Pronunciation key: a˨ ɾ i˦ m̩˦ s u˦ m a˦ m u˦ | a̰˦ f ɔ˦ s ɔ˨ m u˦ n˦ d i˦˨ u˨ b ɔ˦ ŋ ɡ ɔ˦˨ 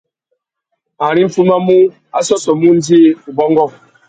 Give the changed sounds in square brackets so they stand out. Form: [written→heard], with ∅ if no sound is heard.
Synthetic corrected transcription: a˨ ɾ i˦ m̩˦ [s→f] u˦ m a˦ m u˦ | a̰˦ [f→s] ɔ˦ s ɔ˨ m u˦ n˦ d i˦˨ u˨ b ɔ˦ ŋ ɡ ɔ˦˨